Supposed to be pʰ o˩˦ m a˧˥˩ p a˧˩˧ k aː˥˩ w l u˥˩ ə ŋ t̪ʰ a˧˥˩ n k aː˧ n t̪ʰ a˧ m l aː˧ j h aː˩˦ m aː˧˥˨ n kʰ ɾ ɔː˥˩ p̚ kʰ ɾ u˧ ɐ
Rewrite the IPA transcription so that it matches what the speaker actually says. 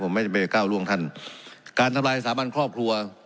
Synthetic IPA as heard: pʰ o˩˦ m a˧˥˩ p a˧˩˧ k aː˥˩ w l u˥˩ ə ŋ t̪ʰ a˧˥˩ n k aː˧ n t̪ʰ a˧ m l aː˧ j s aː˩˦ m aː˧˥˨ n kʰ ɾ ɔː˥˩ p̚ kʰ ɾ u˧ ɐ